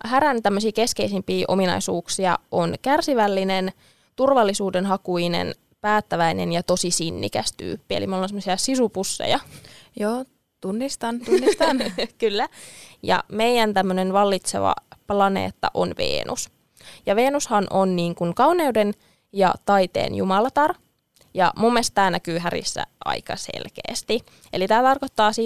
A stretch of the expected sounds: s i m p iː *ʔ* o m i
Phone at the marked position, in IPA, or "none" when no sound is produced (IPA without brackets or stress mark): ʔ